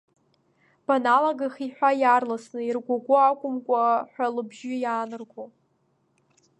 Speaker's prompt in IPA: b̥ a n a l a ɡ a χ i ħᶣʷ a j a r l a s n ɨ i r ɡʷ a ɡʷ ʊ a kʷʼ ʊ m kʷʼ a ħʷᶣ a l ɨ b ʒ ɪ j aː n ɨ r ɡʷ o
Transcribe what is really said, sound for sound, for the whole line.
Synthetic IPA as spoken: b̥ a n a l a ɡ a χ i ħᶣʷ a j a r l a s n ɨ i r ɡʷ a ɡʷ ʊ a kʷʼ ʊ m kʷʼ a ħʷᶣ a l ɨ b ʒ ɪ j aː n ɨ r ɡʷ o